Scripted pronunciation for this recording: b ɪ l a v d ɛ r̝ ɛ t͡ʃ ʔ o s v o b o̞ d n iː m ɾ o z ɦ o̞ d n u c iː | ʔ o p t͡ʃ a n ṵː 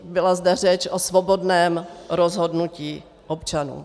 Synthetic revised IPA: b ɪ l a z d ɛ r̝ ɛ t͡ʃ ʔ o s v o b o̞ d n ɛː m ɾ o z ɦ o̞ d n u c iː | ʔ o p t͡ʃ a n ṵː